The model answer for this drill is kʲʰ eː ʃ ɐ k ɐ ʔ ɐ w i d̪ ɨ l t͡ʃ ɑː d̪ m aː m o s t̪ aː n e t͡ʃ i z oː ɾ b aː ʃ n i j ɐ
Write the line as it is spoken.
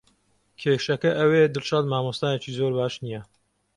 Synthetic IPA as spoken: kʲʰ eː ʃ ɐ k ɐ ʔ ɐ w e d̪ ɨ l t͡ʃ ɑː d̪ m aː m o s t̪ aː n e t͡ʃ i z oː ɾ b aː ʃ n i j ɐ